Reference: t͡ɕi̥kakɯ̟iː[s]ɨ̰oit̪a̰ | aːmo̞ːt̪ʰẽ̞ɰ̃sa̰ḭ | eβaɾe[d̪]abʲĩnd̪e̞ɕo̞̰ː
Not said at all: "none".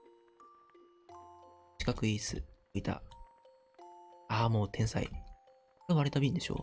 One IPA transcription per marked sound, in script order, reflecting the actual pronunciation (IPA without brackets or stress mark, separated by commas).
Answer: s, t̪